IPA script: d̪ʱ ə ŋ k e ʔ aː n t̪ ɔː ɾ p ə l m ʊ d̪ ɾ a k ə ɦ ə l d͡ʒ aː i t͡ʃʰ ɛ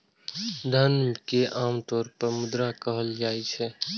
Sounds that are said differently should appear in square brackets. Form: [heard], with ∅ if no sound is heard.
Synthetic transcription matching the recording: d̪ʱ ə [n] k e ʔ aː [m] t̪ ɔː ɾ p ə [ɾ] m ʊ d̪ ɾ a k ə ɦ ə l d͡ʒ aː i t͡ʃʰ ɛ